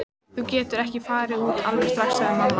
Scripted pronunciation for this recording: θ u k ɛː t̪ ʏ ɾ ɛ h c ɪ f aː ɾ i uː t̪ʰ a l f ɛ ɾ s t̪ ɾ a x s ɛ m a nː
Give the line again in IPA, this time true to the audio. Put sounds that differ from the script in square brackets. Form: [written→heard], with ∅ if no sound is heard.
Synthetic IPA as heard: θ u [k→c] ɛː t̪ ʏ ɾ ɛ h c ɪ f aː ɾ [i→ɪ] uː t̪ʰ a l [f→v] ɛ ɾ s t̪ ɾ a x s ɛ m a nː

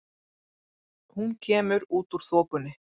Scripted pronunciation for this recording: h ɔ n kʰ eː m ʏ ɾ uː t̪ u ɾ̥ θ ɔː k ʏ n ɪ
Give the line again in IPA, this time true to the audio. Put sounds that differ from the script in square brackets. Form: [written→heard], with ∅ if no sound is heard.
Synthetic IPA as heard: h [ɔ→u] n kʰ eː m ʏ ɾ uː t̪ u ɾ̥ θ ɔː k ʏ n ɪ

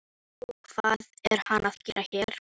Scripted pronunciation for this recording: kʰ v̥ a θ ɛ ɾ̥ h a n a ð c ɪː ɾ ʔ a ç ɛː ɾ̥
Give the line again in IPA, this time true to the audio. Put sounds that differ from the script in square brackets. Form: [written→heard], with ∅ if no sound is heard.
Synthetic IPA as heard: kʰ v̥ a [θ→ð] ɛ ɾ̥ h a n a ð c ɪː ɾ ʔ a ç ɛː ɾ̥

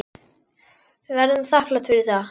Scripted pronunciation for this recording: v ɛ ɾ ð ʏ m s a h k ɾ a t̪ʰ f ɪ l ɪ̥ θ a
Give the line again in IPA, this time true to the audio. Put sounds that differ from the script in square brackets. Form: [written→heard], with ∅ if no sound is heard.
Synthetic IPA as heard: v ɛ ɾ ð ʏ m [s→θ] a h k [ɾ→l] a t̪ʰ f ɪ [l→ɾ] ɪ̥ θ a

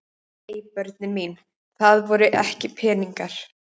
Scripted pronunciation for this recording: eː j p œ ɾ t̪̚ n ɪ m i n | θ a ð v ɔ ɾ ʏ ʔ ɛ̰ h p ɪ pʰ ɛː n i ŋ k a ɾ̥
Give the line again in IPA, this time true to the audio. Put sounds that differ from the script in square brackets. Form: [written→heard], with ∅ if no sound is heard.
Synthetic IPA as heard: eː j p œ ɾ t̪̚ n ɪ m i n | θ a ð v ɔ ɾ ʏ ʔ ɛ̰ h [p→c] ɪ pʰ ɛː n i ŋ k a ɾ̥

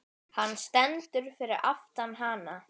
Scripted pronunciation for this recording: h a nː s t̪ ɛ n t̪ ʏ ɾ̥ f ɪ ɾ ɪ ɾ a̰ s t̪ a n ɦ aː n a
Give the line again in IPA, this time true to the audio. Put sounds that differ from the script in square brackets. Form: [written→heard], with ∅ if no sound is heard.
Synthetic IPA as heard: h a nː s t̪ ɛ n t̪ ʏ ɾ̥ f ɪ ɾ ɪ ɾ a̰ [s→f] t̪ a n ɦ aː n a

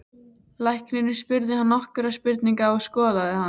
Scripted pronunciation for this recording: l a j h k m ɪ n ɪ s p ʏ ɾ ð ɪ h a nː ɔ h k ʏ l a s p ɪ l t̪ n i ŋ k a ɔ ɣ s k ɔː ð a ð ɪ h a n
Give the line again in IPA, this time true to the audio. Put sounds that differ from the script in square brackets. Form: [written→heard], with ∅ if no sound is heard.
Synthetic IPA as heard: l a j h k [m→n] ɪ n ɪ s p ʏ ɾ ð ɪ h a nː ɔ h k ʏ [l→ɾ] a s p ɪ [l→ɾ] t̪ n i ŋ k a ɔ ɣ s k ɔː ð a ð ɪ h a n

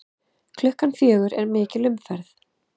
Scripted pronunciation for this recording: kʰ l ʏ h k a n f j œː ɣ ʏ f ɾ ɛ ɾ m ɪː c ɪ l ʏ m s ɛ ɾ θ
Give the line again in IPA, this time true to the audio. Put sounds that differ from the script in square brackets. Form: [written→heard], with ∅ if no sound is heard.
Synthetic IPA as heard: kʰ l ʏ h k a n f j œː ɣ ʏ [f→∅] ɾ ɛ ɾ m ɪː c ɪ l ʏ m [s→f] ɛ ɾ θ

